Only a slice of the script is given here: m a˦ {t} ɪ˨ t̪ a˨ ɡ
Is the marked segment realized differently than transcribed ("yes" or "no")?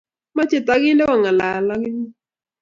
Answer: yes